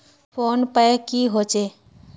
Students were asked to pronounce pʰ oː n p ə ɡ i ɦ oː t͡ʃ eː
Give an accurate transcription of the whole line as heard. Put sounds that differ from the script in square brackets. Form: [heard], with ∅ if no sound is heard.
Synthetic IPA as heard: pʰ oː n p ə [k] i ɦ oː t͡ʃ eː